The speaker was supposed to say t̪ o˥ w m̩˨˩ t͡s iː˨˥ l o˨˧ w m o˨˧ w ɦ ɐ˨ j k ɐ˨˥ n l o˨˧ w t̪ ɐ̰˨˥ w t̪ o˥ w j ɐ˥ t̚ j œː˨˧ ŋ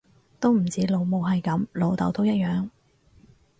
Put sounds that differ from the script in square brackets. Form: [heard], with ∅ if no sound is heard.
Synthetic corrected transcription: t̪ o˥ w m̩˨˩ t͡s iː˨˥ l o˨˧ w m o˨˧ w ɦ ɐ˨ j k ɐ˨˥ [m] l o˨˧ w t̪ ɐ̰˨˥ w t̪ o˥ w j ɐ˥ t̚ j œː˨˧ ŋ